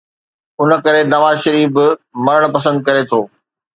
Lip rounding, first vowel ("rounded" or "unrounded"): rounded